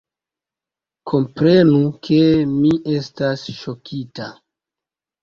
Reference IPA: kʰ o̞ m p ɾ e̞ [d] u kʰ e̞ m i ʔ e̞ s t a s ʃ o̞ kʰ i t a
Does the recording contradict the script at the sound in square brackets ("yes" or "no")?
yes